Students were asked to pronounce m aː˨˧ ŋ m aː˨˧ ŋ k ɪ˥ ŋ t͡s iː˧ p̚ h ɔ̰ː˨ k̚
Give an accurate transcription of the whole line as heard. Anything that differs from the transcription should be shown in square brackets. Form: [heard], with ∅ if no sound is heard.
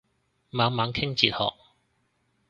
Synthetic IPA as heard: m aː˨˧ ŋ m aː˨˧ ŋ [kʰ] ɪ˥ ŋ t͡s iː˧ [t̚] h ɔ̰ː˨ k̚

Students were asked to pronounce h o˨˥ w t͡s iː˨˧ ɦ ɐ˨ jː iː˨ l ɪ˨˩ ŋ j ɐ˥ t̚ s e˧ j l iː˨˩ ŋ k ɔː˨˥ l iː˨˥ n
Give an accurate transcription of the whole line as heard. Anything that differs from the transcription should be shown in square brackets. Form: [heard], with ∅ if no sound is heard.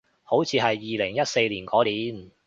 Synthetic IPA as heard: h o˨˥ w [t͡sʰ] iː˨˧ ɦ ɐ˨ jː iː˨ l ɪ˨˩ ŋ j ɐ˥ t̚ s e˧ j l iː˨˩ [n] k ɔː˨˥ l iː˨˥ n

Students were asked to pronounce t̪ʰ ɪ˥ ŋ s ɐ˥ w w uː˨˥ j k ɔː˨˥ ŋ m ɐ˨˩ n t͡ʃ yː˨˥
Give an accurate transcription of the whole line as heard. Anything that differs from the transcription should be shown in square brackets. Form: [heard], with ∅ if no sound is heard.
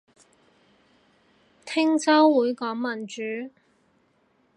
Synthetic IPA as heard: t̪ʰ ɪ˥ ŋ [t͡s] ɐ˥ w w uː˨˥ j k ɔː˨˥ ŋ m ɐ˨˩ n t͡ʃ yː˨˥

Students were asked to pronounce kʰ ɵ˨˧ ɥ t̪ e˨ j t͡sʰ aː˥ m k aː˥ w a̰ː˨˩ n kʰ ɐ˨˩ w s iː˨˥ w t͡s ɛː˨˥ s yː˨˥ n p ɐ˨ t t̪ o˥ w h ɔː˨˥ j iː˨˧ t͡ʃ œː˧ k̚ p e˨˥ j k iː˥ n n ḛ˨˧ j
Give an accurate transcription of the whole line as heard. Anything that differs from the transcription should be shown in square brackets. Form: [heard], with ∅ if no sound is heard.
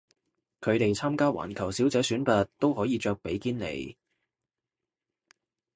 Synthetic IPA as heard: kʰ ɵ˨˧ ɥ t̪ e˨ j t͡sʰ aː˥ m k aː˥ w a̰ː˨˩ n kʰ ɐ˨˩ w s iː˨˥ w t͡s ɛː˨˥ s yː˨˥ n p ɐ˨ t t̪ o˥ w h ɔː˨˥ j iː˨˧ t͡ʃ œː˧ k̚ p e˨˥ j k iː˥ n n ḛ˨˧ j

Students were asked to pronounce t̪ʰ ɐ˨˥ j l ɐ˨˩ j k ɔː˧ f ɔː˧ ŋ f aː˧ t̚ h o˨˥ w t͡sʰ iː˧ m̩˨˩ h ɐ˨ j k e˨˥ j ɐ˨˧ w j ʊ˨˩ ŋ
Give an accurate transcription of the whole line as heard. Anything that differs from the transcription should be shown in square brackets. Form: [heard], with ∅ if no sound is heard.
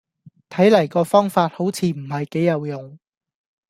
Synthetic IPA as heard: t̪ʰ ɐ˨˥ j l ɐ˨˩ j k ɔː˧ f [ɔː˥] ŋ f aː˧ t̚ h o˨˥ w t͡sʰ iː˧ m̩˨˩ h ɐ˨ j k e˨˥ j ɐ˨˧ w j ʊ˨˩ ŋ

